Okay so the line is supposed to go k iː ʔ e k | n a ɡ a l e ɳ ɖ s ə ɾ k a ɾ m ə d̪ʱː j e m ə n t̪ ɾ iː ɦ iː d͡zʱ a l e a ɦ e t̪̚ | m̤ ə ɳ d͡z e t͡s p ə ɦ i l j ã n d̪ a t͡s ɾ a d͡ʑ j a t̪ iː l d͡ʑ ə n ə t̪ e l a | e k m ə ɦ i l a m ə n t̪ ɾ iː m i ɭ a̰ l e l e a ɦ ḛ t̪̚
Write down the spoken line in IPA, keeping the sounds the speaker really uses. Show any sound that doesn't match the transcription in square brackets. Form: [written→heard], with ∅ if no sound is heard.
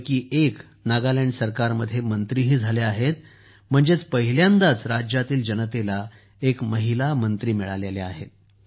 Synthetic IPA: k iː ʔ e k | n a ɡ a l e ɳ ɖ s ə ɾ k a ɾ m ə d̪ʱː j e m ə n t̪ ɾ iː ɦ iː d͡zʱ a l e a ɦ e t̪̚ | m̤ ə ɳ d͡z e t͡s p ə ɦ i l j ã n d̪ a t͡s ɾ a d͡ʑ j a t̪ iː l d͡ʑ ə n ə t̪ e l a | e k m ə ɦ i l a m ə n t̪ ɾ iː m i ɭ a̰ l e l e a ɦ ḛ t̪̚